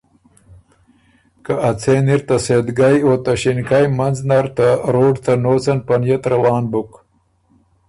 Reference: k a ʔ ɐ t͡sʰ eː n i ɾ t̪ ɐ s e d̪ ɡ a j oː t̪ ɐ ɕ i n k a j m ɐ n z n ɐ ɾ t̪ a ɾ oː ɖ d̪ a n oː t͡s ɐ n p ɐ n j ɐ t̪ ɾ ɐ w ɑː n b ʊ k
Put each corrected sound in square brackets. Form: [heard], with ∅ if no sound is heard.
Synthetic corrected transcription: k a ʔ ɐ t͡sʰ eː n i ɾ t̪ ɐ s e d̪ ɡ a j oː t̪ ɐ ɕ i n k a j m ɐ n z n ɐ ɾ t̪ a ɾ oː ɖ [t̪] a n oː t͡s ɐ n p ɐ n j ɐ t̪ ɾ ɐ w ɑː n b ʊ k